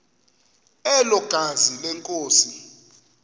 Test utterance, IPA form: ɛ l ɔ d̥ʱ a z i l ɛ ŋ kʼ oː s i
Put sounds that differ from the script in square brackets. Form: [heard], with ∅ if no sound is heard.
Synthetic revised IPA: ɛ l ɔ [ɡ̥ʱ] a z i l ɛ ŋ kʼ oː s i